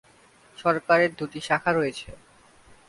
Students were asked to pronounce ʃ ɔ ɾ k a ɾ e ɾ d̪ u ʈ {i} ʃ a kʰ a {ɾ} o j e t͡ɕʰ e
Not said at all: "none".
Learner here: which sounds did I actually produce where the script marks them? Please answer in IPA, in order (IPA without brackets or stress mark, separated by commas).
i, ɾ